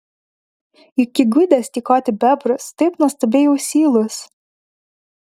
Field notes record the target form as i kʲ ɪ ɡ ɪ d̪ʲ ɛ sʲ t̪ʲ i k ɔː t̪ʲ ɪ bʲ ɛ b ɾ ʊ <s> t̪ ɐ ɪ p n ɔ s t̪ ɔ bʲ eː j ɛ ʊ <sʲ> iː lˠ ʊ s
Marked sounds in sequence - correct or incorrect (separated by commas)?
correct, correct